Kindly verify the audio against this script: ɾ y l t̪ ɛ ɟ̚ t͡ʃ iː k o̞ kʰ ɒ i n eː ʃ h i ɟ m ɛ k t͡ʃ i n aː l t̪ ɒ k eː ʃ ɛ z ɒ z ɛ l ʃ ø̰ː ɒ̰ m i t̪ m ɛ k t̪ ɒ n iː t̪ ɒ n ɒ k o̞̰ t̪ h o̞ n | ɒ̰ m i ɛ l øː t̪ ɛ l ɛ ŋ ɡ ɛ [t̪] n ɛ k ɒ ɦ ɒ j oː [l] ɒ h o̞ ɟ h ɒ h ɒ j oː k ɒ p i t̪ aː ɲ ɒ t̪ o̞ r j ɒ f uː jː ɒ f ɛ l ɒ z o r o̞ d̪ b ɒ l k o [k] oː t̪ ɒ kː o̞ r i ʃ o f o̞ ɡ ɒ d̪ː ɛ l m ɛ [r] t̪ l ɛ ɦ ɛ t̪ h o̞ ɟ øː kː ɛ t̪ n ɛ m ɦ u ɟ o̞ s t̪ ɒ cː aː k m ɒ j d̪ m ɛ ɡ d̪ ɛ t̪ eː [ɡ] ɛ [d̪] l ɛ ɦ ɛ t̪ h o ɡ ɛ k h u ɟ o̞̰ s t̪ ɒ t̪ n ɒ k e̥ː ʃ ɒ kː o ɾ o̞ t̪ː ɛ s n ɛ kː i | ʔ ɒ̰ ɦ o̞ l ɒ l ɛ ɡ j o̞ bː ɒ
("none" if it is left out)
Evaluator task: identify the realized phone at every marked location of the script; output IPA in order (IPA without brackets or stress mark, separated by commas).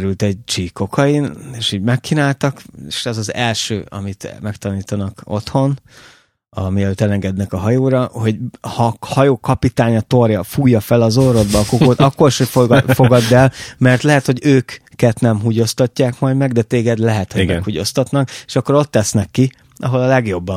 d̪, ɾ, k, r, ɡ, d̪